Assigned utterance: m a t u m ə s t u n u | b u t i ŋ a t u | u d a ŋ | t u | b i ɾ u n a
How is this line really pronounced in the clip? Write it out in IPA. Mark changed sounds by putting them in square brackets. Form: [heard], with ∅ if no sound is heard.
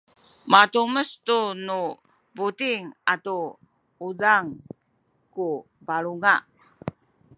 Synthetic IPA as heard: m a t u m ə s t u n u | b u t i ŋ a t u | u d a ŋ | [k] u | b [a] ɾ u [ŋ] a